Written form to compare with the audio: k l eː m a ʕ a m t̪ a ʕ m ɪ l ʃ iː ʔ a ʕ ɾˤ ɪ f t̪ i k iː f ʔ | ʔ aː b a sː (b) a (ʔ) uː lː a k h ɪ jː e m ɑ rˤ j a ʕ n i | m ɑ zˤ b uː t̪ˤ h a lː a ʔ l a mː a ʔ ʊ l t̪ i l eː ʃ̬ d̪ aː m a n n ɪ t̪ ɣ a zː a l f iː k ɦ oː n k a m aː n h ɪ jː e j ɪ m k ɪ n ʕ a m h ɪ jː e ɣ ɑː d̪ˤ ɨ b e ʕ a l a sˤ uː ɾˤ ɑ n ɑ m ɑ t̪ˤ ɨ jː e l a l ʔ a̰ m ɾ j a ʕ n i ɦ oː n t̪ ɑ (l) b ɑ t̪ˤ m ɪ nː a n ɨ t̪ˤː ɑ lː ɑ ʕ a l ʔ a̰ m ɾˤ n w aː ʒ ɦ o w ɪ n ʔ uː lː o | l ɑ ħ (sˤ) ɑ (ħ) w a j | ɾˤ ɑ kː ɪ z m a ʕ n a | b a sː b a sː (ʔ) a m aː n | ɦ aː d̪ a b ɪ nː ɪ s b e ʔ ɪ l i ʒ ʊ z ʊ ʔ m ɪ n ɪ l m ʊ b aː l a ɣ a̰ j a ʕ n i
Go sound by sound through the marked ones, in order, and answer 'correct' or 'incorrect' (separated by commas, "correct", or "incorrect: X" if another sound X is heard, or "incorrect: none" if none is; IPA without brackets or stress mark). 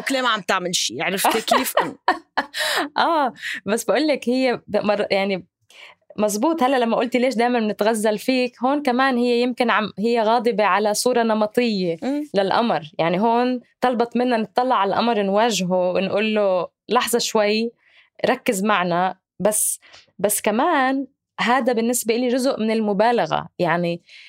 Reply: correct, correct, correct, incorrect: zˤ, incorrect: ʃ, incorrect: k